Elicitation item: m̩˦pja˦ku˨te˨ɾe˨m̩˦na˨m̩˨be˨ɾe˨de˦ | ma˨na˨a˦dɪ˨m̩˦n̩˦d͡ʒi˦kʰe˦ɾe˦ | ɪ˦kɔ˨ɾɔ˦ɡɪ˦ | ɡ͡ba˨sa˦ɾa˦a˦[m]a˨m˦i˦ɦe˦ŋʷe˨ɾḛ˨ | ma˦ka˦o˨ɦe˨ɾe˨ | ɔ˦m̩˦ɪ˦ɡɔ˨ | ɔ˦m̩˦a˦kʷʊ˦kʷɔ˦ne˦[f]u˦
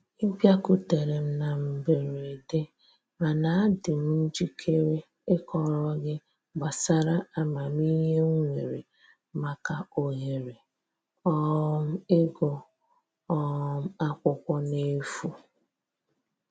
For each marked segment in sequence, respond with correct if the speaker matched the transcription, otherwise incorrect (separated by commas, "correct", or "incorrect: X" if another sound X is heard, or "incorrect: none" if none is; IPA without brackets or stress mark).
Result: correct, correct